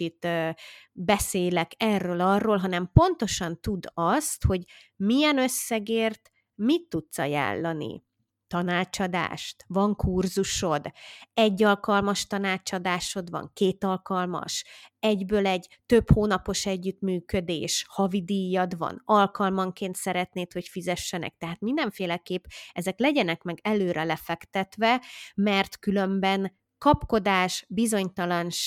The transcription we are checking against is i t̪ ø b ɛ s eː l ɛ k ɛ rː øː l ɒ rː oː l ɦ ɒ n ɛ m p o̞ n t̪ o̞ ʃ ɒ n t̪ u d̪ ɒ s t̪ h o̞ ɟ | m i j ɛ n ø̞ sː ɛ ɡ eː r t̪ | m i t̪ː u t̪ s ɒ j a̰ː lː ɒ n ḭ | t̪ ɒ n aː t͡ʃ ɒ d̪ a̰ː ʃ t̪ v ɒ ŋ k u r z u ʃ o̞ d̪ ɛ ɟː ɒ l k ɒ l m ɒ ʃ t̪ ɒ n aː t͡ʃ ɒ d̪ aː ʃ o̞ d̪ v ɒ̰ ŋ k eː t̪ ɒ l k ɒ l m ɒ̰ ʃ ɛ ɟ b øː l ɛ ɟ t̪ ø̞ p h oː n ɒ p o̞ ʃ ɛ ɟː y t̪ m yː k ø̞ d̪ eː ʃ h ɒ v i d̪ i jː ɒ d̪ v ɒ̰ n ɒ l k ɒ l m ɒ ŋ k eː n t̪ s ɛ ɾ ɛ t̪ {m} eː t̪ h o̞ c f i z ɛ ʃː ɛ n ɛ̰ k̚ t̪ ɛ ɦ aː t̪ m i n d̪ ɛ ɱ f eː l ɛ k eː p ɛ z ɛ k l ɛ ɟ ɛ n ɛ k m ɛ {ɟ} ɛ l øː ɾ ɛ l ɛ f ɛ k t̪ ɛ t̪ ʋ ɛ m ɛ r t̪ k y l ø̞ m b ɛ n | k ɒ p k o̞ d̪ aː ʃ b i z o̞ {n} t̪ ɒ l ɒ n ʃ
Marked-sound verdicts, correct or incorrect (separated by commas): incorrect, incorrect, incorrect